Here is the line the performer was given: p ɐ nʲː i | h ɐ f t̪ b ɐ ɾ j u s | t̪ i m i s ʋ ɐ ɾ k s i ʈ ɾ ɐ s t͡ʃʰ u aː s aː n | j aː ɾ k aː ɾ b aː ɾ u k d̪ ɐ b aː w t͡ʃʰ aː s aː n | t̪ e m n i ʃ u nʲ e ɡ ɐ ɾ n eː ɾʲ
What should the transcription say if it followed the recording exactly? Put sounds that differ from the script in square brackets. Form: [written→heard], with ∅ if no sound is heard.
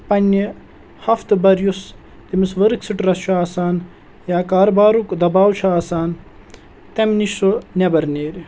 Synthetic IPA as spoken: p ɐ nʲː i | h ɐ f t̪ b ɐ ɾ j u s | t̪ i m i s ʋ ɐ ɾ k s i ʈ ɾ ɐ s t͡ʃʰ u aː s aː n | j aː [ɾ→∅] k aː ɾ b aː ɾ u k d̪ ɐ b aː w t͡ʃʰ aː s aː n | t̪ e m n i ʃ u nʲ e [ɡ→b] ɐ ɾ n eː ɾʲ

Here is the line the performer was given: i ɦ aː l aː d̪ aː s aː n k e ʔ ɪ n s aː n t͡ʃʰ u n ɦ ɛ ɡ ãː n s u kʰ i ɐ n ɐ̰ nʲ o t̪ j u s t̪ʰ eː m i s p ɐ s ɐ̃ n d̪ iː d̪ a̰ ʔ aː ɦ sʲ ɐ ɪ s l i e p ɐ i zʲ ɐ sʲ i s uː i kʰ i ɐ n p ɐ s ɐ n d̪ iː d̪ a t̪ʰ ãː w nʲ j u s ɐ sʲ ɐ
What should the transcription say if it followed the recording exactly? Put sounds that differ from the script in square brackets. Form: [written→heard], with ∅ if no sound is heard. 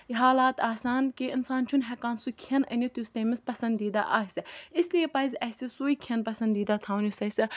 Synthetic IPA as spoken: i ɦ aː l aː [d̪→t̪] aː s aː n k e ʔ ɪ n s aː n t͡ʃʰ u n ɦ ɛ [ɡ→k] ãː n s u kʰ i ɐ n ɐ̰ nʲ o t̪ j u s [t̪ʰ→t̪] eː m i s p ɐ s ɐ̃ n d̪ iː d̪ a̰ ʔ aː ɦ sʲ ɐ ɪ s l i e p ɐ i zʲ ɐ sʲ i s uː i kʰ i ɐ n p ɐ s ɐ n d̪ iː d̪ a t̪ʰ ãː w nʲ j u s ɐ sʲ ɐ

